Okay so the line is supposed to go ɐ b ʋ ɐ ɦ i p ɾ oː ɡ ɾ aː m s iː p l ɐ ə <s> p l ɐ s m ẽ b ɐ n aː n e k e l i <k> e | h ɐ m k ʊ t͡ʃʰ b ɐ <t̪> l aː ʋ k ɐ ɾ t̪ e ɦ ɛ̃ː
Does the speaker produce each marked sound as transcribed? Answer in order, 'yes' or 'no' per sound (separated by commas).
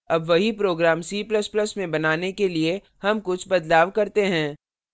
yes, no, no